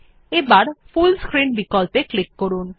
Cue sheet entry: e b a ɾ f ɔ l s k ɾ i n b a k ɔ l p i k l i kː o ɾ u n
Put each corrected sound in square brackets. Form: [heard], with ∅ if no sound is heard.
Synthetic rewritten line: e b a ɾ f [u] l s k ɾ i n b [i] k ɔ l p [e] k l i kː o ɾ u n